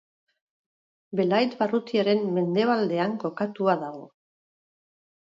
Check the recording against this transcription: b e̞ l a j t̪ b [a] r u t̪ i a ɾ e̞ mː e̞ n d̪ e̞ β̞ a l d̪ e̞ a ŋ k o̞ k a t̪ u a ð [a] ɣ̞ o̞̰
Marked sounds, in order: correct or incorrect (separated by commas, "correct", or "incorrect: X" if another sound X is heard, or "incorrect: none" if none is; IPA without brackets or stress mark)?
correct, correct